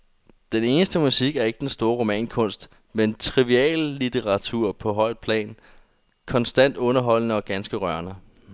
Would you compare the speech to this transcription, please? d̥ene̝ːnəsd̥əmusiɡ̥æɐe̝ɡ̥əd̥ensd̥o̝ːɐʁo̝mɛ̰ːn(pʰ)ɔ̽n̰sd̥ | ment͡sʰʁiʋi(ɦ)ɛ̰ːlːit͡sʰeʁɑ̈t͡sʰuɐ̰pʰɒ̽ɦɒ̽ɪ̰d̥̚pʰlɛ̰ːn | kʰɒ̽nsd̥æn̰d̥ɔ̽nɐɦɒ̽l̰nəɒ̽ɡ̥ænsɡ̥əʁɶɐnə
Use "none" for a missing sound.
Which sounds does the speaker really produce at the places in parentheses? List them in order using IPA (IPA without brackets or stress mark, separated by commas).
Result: kʰ, none